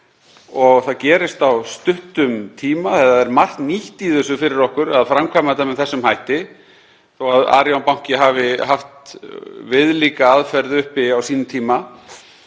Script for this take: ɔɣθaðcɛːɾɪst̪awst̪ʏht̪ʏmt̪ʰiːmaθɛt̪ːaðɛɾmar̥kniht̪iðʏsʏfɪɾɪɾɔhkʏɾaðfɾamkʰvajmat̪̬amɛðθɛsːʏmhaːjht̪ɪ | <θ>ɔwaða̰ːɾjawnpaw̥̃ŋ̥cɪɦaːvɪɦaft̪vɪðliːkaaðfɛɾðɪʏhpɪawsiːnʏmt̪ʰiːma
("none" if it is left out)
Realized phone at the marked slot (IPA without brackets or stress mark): θ